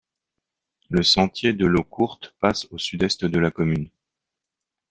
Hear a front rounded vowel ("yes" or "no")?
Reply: yes